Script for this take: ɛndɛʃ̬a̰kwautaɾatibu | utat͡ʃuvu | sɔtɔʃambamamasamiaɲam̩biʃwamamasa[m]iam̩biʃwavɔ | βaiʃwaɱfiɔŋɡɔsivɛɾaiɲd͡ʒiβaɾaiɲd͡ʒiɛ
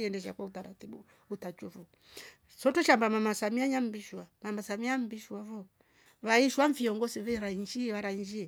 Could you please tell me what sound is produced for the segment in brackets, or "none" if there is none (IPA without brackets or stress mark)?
m